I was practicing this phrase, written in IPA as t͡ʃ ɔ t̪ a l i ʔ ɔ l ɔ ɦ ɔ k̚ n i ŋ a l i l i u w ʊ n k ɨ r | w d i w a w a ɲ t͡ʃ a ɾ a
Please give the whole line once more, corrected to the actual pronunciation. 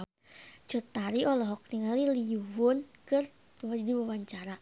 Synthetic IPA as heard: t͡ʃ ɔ t̪ a ɾ i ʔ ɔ l ɔ ɦ ɔ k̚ n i ŋ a l i l i u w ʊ n k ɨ r | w d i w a w a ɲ t͡ʃ a ɾ a